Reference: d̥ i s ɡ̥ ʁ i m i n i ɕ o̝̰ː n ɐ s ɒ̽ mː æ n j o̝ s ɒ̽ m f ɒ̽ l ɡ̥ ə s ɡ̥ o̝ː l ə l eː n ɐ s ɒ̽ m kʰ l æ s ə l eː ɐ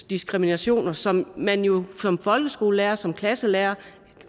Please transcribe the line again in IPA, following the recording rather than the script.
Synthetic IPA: d̥ i s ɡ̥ ʁ i m i n æ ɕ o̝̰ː n ɐ s ɒ̽ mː æ n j o̝ s ɒ̽ m f ɒ̽ l ɡ̥ ə s ɡ̥ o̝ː l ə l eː ɐ s ɒ̽ m kʰ l æ s ə l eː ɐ